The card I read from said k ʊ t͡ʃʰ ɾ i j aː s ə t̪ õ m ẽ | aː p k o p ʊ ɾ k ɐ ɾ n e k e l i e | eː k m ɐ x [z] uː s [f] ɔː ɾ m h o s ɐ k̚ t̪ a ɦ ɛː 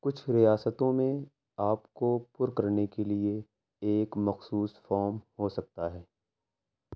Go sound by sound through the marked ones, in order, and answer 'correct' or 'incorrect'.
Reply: incorrect: s, correct

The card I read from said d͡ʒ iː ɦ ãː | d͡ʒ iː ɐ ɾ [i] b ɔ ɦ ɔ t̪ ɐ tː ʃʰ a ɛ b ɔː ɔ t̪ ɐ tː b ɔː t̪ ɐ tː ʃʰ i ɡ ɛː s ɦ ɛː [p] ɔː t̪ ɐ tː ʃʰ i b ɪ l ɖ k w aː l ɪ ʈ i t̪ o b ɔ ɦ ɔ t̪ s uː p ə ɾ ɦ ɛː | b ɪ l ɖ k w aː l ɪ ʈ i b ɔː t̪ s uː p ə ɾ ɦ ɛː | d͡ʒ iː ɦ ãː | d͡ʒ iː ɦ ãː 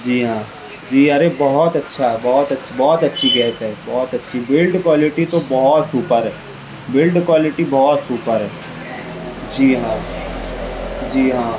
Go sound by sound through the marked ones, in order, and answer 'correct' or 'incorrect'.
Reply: incorrect: e, incorrect: b

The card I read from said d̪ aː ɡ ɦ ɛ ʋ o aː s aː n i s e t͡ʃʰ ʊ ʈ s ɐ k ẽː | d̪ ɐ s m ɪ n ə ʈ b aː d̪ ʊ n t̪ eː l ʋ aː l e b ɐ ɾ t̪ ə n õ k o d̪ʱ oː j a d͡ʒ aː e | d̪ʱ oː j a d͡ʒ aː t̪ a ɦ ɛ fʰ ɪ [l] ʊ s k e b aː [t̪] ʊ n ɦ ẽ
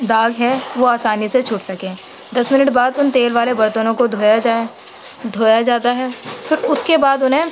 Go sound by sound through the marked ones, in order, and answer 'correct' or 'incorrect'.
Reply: incorrect: ɾ, incorrect: d̪

